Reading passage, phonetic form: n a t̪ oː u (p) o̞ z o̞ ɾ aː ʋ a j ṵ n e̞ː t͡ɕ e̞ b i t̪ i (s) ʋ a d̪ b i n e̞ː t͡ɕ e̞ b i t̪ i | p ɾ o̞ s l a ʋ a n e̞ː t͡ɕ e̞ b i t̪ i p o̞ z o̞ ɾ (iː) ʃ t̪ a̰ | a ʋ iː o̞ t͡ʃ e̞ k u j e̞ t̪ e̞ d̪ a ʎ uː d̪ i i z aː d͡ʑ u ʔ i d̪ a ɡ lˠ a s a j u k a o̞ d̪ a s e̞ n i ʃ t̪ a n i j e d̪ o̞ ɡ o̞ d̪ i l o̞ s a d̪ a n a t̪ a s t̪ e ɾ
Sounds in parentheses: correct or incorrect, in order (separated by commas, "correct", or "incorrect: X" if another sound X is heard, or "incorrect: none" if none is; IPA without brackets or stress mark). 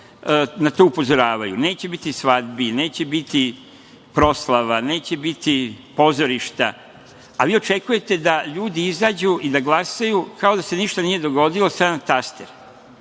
correct, correct, incorrect: i